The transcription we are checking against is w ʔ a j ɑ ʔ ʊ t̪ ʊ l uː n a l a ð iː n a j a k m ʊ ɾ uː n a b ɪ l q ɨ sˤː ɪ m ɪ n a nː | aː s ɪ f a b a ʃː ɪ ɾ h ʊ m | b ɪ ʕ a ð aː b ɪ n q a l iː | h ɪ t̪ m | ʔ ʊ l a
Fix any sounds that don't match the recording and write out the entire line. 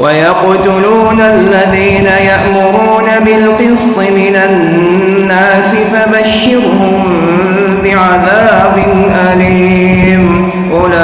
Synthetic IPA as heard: w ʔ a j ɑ q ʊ t̪ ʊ l uː n a lː a ð iː n a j a ʔ m ʊ ɾ uː n a b ɪ l q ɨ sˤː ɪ m ɪ n a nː | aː s ɪ f a b a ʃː ɪ ɾ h ʊ m | b ɪ ʕ a ð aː b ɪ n ʔ a l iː | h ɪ m | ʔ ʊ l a